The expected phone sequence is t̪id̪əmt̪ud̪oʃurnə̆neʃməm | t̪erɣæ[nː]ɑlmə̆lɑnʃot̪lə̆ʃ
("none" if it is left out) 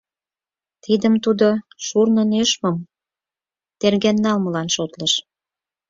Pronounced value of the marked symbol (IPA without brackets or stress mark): nː